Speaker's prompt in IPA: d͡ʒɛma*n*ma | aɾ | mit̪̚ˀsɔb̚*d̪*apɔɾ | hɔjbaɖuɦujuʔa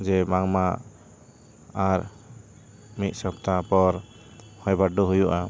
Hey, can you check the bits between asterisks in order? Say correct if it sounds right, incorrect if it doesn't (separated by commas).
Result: incorrect, incorrect